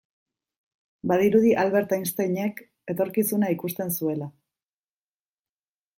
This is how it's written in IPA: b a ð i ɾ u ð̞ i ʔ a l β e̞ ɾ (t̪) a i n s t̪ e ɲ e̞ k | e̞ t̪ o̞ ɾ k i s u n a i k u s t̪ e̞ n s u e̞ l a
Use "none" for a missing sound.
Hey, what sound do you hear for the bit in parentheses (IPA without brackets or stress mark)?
t̪